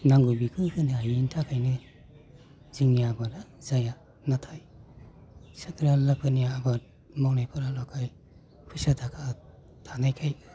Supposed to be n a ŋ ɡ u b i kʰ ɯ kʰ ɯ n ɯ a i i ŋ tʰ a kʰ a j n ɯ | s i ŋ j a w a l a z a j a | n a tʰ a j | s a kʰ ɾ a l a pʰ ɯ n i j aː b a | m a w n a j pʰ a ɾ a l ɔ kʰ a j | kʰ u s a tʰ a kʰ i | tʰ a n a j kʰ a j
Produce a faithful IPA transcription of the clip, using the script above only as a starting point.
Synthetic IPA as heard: n a ŋ ɡ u b i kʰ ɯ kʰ ɯ n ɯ a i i n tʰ a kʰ a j n ɯ | z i ŋ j a b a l a z a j a | n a tʰ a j | s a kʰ ɾ a l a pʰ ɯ n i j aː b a | m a w n a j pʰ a ɾ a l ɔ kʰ a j | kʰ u s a tʰ a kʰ a | tʰ a n a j kʰ a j